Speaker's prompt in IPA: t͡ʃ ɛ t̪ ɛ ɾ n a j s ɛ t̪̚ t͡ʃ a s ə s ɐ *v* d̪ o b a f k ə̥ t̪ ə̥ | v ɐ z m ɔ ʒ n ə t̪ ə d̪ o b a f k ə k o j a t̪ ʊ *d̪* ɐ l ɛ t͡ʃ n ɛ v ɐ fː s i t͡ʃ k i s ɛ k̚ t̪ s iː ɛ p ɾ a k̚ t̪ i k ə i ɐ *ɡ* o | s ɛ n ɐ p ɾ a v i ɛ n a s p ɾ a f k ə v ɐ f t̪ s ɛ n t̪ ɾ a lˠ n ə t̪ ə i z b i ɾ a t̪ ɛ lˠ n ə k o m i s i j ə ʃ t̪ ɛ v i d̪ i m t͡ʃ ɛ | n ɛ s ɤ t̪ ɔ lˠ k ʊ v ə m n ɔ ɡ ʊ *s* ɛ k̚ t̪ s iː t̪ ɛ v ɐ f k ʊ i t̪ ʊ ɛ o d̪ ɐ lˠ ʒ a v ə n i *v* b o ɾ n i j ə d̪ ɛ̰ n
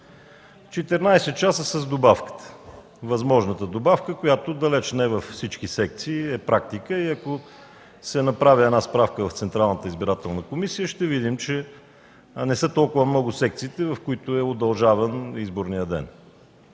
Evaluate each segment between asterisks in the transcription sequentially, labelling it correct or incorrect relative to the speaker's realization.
incorrect: z, correct, incorrect: k, correct, incorrect: z

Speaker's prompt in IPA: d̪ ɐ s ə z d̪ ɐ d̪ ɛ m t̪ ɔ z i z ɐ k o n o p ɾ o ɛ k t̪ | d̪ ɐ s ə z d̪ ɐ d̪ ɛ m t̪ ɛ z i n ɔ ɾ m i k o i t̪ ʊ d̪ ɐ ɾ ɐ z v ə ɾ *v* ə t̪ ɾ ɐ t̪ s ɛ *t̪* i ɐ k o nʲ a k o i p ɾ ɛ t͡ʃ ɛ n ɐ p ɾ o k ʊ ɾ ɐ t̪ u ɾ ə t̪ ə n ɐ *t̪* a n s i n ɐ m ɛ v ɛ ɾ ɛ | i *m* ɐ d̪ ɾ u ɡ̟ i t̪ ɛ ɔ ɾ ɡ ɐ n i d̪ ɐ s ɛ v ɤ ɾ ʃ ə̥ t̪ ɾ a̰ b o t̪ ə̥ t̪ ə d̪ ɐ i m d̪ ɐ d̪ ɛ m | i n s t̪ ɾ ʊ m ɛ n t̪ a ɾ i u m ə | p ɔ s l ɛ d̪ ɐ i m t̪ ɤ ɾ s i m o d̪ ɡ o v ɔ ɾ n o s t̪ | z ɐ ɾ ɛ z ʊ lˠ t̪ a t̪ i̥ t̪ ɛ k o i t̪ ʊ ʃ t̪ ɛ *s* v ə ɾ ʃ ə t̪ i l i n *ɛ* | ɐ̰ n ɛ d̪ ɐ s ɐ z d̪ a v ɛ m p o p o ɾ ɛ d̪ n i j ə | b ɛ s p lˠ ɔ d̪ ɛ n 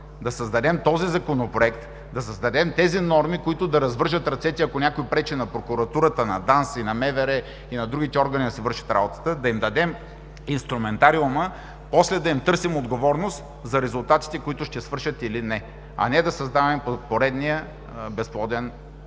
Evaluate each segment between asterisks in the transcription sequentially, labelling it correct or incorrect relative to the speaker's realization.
incorrect: ʒ, correct, incorrect: d̪, incorrect: n, correct, correct

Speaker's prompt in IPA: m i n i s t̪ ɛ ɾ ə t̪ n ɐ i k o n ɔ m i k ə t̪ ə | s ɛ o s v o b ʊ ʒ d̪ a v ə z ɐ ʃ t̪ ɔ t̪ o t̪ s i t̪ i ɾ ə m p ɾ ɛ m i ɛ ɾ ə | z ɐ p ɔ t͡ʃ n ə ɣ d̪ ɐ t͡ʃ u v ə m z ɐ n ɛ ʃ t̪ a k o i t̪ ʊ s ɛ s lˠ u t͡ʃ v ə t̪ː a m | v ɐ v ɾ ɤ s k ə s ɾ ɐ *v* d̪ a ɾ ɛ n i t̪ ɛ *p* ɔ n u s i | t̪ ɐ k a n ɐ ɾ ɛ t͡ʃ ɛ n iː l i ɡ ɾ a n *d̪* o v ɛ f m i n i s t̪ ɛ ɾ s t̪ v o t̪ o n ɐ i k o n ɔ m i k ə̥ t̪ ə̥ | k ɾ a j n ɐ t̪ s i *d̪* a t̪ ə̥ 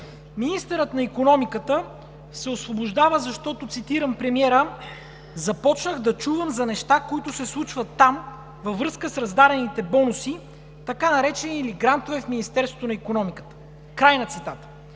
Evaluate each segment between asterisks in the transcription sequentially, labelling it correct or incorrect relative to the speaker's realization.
incorrect: z, incorrect: b, incorrect: t̪, incorrect: t̪

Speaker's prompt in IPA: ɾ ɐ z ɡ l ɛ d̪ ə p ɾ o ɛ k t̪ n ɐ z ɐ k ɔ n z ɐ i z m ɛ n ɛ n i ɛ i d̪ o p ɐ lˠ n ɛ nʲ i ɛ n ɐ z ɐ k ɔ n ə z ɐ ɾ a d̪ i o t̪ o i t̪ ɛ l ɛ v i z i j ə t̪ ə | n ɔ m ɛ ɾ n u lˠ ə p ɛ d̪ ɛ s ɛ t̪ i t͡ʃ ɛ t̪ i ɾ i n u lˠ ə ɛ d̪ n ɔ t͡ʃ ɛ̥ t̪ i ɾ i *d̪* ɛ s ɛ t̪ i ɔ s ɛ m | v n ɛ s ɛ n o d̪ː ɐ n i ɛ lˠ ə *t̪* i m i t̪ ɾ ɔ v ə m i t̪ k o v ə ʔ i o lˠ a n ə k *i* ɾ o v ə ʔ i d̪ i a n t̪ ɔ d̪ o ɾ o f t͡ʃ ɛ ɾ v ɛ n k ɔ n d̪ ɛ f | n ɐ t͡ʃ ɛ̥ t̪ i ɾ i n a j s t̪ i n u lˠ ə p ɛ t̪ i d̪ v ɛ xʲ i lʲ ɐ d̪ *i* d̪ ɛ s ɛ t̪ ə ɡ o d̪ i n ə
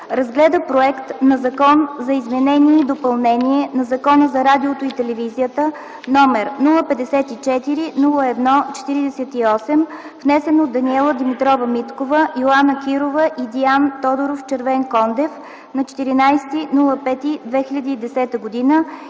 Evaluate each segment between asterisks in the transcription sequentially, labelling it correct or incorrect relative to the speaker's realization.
correct, incorrect: d̪, correct, incorrect: iː

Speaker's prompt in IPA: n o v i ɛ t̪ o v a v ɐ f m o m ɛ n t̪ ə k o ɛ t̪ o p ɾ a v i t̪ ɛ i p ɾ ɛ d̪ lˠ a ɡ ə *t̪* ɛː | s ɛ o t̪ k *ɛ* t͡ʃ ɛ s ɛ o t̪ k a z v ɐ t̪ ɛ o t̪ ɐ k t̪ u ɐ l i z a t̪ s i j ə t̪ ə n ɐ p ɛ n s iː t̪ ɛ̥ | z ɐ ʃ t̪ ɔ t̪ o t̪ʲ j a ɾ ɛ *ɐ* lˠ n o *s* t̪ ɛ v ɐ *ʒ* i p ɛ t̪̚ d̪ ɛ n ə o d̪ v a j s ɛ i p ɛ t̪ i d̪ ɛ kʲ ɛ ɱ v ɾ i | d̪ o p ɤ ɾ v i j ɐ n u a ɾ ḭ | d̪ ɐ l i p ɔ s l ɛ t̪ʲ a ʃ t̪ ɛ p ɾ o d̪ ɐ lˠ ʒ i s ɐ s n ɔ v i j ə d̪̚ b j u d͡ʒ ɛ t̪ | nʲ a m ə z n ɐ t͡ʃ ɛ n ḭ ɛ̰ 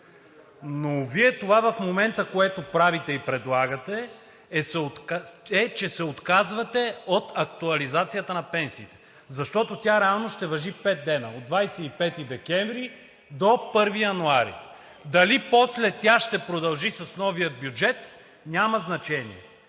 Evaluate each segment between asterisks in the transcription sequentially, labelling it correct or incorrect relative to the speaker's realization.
correct, correct, incorrect: a, incorrect: ʃ, correct

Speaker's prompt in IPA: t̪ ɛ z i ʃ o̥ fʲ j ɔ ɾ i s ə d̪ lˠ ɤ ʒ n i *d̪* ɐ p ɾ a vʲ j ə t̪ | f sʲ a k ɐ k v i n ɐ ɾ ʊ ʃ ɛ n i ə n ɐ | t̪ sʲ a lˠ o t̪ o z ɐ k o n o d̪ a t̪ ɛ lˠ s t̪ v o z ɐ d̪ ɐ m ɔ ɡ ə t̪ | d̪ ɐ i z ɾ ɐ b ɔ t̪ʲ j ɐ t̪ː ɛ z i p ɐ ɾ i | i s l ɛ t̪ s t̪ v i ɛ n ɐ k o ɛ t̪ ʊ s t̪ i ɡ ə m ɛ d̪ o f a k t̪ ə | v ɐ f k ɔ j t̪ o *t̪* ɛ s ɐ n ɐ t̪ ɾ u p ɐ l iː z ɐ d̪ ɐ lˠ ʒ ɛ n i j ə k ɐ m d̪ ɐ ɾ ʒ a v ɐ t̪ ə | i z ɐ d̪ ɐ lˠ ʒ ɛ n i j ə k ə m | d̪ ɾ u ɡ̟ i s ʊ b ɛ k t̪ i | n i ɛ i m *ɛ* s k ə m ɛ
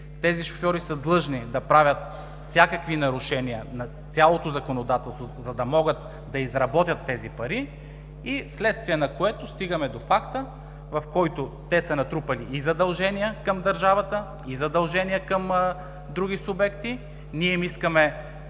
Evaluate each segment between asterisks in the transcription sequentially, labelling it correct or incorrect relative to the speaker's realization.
correct, correct, incorrect: i

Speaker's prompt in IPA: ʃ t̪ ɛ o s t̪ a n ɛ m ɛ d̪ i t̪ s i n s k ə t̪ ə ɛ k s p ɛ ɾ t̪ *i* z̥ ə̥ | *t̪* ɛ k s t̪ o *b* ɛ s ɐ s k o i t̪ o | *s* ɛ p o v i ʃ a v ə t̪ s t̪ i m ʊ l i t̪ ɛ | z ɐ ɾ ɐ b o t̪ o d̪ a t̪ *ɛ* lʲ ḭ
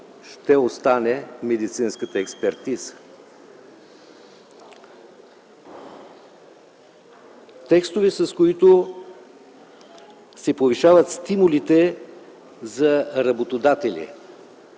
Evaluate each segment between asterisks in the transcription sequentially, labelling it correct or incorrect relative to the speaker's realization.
correct, correct, incorrect: v, correct, correct

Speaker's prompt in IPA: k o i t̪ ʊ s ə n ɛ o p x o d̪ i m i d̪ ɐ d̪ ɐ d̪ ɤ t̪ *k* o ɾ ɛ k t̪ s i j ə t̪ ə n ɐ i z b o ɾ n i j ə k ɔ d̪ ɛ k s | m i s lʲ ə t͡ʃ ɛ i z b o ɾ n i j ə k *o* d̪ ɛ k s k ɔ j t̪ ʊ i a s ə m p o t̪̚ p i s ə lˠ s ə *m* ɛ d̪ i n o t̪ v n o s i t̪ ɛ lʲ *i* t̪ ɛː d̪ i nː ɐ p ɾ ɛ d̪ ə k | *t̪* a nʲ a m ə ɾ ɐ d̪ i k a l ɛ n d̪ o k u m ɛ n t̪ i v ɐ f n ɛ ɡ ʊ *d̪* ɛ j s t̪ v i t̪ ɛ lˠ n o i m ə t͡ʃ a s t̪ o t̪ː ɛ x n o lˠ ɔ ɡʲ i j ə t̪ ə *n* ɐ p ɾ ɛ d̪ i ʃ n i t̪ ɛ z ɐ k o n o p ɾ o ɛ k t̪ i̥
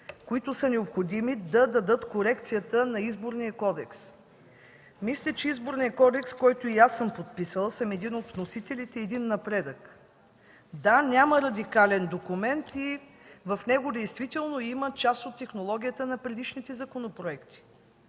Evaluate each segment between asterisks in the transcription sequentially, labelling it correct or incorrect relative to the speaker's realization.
correct, incorrect: ɔ, correct, correct, incorrect: d̪, correct, correct

